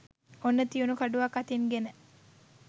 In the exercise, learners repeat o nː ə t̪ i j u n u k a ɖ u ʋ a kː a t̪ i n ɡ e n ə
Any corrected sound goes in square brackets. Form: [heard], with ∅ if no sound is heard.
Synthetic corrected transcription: o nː ə t̪ i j u n u k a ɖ u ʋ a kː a t̪ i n ɡ e n ə

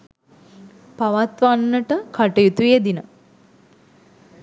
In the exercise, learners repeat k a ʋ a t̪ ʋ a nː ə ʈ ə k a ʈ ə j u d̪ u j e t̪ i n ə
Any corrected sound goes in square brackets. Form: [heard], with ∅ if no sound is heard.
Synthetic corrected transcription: [p] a ʋ a t̪ ʋ a nː ə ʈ ə k a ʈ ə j u [t̪] u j e [d̪] i n ə

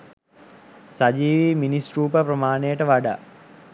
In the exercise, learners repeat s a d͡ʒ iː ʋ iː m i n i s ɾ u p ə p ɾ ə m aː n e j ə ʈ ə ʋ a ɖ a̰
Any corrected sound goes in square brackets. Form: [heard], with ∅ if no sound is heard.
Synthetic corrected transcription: s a d͡ʒ iː ʋ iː m i n i s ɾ [uː] p ə p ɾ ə m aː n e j ə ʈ ə ʋ a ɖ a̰

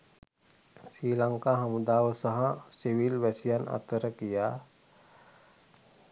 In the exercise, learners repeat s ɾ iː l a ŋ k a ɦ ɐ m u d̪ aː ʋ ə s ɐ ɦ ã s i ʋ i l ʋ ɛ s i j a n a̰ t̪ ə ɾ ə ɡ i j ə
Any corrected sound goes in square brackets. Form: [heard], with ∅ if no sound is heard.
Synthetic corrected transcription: s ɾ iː l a ŋ k a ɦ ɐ m u d̪ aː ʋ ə s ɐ ɦ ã s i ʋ i l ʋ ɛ s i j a n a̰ t̪ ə ɾ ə [k] i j [a]

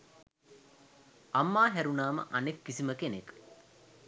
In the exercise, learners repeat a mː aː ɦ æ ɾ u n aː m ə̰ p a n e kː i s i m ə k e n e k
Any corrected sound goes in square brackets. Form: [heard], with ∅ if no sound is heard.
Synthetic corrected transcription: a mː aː ɦ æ ɾ u n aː m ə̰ [ʔ] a n e kː i s i m ə k e n e k

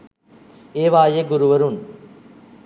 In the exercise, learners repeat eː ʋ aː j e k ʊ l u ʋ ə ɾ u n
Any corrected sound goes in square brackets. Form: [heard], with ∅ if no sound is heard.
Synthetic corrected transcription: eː ʋ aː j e [ɡ] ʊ [ɾ] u ʋ [ɐ] ɾ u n

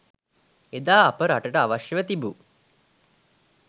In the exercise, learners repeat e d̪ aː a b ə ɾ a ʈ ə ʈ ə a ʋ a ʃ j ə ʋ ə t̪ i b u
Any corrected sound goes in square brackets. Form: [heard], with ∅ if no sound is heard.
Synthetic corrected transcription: e d̪ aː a [p] ə ɾ a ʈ ə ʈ ə a ʋ a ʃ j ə ʋ ə t̪ i b u

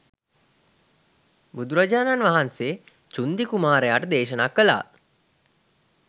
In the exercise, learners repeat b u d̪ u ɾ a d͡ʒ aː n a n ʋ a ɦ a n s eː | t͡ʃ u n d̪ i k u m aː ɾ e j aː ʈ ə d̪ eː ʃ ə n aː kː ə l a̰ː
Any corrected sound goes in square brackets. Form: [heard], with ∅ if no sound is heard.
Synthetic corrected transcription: b u d̪ u ɾ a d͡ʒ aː n a n ʋ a ɦ a n s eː | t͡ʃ u n d̪ i k u m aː ɾ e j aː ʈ ə d̪ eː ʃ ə n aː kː ə l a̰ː

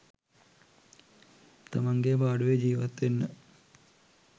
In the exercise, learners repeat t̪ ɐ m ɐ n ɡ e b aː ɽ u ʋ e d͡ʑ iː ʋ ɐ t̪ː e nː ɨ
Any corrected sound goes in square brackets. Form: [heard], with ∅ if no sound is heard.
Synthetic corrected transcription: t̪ ɐ m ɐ [ŋ] ɡ e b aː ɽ u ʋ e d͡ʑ iː ʋ ɐ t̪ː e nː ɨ

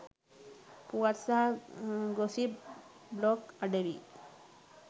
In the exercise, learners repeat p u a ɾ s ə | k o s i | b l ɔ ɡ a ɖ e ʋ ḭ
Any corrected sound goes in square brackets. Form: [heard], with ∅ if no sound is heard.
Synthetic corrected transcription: p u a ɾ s [a] | [ɡ] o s i | b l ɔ [k] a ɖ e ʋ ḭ

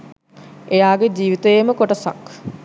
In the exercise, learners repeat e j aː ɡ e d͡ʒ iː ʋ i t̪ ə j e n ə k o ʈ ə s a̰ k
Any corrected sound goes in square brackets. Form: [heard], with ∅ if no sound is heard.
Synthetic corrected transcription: e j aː ɡ e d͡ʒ iː ʋ i t̪ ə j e [m] ə k o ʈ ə s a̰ k

